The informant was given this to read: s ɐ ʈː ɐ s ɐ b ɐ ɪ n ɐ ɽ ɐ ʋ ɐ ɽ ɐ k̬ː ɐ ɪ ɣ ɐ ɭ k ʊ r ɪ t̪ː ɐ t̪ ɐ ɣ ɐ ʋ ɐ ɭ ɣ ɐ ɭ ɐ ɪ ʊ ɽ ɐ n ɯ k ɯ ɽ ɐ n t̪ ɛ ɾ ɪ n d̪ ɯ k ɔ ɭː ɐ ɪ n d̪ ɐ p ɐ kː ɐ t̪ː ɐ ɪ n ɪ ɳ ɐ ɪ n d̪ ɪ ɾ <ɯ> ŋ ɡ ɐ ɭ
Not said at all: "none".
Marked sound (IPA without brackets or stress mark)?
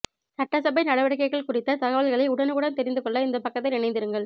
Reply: ɯ